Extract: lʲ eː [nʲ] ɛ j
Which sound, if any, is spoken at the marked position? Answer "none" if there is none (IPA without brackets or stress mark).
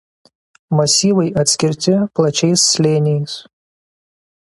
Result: nʲ